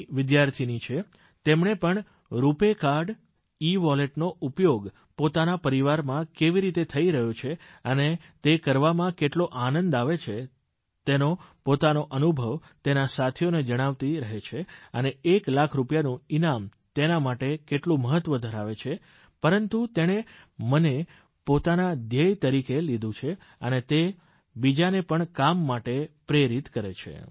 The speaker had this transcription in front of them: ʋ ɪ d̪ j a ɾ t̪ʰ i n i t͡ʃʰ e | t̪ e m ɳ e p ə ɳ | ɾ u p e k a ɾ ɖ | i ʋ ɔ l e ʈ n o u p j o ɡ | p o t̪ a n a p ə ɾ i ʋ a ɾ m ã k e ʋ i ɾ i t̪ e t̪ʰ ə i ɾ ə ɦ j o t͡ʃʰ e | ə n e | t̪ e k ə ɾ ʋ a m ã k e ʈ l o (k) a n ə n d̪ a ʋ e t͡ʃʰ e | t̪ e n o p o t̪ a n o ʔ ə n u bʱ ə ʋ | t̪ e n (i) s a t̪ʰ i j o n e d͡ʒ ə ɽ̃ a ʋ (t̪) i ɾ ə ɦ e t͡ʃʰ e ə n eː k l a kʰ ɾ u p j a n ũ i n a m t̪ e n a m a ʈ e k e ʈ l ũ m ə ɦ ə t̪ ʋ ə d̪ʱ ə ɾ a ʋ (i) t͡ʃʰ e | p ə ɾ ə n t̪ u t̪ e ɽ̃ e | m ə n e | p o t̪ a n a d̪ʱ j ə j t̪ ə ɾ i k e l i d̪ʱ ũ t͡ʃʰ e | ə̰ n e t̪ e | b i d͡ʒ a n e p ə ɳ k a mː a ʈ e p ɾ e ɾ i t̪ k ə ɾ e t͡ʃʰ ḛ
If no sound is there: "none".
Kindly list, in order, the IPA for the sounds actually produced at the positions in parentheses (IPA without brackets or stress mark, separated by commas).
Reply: ʔ, a, t̪, e